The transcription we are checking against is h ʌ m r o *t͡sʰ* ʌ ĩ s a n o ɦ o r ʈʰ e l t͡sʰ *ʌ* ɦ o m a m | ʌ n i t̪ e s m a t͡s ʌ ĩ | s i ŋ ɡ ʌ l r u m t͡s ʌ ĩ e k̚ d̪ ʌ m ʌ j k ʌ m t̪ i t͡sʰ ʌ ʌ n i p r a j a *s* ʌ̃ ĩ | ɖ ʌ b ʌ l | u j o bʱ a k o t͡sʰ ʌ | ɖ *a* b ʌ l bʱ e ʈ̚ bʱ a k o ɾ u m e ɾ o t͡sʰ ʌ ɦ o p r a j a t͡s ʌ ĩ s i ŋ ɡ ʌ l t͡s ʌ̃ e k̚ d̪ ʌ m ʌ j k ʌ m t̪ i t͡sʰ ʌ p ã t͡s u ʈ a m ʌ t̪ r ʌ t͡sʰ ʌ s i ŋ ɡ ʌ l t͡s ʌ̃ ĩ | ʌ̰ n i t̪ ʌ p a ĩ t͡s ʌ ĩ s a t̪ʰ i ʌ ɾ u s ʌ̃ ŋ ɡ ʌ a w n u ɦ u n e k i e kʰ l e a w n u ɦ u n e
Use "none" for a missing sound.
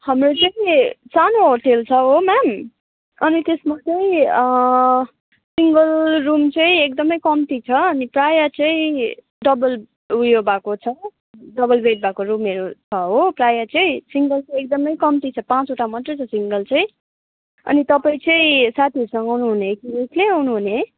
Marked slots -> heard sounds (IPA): t͡s, ʌ, t͡s, ʌ

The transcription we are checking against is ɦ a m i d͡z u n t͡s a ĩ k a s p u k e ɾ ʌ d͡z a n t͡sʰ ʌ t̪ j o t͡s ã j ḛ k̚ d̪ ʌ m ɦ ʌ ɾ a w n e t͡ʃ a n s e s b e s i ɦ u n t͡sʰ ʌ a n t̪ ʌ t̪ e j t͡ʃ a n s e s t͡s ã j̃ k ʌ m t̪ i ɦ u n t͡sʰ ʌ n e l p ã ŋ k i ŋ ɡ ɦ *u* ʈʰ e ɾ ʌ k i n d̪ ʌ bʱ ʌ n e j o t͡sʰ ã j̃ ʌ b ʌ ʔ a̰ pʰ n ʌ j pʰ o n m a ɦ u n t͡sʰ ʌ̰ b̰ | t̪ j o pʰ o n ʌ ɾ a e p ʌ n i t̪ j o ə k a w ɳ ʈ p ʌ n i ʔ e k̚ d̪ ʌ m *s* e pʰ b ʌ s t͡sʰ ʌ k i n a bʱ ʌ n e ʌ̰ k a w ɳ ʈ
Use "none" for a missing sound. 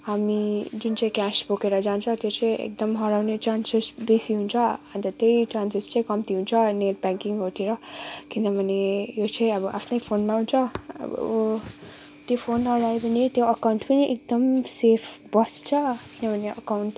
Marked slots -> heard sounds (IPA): o, s

